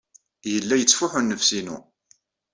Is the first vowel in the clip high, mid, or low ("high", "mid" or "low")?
mid